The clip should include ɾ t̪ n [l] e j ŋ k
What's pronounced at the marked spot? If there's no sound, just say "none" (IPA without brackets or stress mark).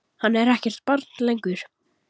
l